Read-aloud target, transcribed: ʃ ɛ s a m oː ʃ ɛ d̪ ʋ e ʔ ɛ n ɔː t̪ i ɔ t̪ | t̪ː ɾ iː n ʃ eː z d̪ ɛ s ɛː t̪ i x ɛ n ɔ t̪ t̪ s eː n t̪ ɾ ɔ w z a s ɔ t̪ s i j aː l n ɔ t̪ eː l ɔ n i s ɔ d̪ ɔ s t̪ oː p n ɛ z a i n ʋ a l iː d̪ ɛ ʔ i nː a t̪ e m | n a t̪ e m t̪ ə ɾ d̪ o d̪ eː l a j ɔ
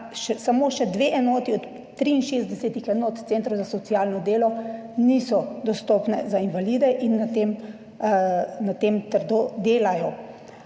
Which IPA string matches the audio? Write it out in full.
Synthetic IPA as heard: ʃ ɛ s a m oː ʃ ɛ d̪ ʋ e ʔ ɛ n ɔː t̪ i ɔ t̪ | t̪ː ɾ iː n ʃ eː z d̪ ɛ s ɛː t̪ i x ɛ n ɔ t̪ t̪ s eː n t̪ ɾ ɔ w z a s ɔ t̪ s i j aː l n ɔ d̪ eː l ɔ n i s ɔ d̪ ɔ s t̪ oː p n ɛ z a i n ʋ a l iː d̪ ɛ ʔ i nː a t̪ e m | n a t̪ e m t̪ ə ɾ d̪ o d̪ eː l a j ɔ